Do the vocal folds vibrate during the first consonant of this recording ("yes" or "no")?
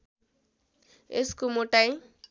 no